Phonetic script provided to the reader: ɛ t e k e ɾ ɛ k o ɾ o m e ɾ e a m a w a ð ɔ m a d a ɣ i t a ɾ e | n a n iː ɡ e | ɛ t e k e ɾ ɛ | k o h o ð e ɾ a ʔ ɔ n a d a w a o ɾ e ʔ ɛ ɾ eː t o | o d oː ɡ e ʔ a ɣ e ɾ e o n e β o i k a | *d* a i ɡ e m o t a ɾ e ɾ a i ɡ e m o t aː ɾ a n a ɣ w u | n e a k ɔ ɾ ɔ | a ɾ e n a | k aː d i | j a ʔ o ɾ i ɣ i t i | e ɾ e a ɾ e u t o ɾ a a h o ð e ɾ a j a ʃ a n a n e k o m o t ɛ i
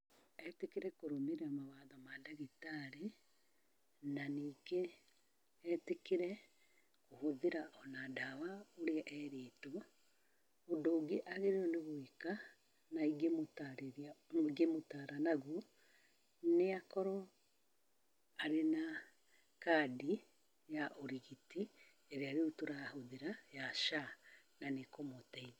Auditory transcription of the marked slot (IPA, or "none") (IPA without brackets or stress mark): n